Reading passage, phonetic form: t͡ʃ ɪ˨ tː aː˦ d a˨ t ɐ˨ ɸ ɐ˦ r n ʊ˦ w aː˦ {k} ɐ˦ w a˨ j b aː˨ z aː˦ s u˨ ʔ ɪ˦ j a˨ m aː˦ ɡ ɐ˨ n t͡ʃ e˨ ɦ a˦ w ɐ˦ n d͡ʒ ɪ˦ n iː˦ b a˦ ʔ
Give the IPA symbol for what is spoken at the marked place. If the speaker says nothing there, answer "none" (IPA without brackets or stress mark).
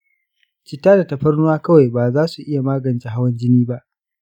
k